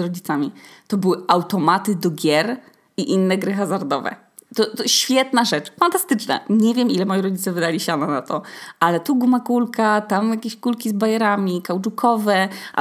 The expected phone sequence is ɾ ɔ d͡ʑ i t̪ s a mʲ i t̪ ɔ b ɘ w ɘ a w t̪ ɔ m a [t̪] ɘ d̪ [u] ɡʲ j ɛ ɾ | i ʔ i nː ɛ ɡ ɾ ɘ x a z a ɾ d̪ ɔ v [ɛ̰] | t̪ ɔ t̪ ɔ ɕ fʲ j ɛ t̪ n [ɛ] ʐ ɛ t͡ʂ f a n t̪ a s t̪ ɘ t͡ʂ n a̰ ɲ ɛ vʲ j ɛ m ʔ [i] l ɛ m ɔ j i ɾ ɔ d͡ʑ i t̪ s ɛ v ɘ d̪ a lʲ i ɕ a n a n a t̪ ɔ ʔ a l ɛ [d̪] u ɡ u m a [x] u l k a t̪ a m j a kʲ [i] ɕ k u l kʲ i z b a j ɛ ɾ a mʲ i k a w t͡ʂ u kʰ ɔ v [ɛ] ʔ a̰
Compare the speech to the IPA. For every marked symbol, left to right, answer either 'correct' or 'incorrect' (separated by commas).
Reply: correct, incorrect, correct, incorrect, correct, incorrect, incorrect, incorrect, correct